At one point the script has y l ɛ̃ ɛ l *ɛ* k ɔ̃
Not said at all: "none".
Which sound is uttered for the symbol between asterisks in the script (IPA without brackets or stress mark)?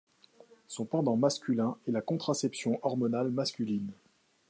a